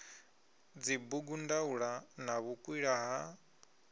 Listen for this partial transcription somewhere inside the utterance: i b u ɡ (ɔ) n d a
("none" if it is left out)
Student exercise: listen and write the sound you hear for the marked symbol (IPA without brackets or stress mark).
u